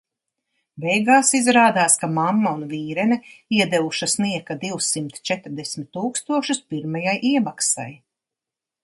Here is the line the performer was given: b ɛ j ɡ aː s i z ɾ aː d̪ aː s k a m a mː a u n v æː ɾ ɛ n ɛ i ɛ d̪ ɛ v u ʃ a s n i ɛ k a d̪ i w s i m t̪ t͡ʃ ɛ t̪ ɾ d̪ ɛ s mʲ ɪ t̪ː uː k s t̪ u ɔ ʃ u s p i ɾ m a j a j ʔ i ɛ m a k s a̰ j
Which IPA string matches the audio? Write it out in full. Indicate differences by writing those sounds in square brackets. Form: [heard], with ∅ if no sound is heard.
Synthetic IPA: b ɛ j ɡ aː s i z ɾ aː d̪ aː s k a m a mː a u n v [iː] ɾ ɛ n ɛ i ɛ d̪ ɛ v u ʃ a s n i ɛ k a d̪ i w s i m t̪ t͡ʃ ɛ t̪ ɾ d̪ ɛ s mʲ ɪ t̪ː uː k s t̪ u ɔ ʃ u s p i ɾ m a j a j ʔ i ɛ m a k s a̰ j